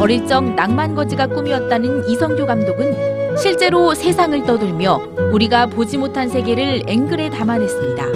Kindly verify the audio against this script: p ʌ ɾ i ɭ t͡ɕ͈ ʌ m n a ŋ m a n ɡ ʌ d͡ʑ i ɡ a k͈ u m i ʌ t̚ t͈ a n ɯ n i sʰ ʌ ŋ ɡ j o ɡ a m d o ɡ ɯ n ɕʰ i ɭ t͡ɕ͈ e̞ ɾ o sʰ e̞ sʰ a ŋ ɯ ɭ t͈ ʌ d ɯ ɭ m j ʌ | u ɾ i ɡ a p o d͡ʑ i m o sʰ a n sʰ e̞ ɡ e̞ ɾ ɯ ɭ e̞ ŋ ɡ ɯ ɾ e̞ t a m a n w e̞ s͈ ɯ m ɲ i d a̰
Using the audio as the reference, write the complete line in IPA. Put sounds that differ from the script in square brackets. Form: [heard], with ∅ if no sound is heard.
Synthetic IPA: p ʌ ɾ i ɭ t͡ɕ͈ ʌ [ŋ] n a ŋ m a n ɡ ʌ d͡ʑ i ɡ a k͈ u m i ʌ t̚ t͈ a n ɯ n i sʰ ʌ ŋ ɡ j o ɡ a m d o ɡ ɯ n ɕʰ i ɭ t͡ɕ͈ e̞ ɾ o sʰ e̞ sʰ a ŋ ɯ ɭ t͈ ʌ d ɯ ɭ m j ʌ | u ɾ i ɡ a p o d͡ʑ i m o [tʰ] a n sʰ e̞ ɡ e̞ ɾ ɯ ɭ e̞ ŋ ɡ ɯ ɾ e̞ t a m a n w e̞ s͈ ɯ m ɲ i d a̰